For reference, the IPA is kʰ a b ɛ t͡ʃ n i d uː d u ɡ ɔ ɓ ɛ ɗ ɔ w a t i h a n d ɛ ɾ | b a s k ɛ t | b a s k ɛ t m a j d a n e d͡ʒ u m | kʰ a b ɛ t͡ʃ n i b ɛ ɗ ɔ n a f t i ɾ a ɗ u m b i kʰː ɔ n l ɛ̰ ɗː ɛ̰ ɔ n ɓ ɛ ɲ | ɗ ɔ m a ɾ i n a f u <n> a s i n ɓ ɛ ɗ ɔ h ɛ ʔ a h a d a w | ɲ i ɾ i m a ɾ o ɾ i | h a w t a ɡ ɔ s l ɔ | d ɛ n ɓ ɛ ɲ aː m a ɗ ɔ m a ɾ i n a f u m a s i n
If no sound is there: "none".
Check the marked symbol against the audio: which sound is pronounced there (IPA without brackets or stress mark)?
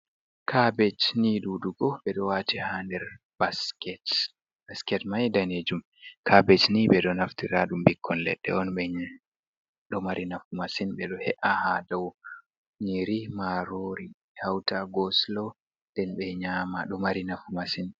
m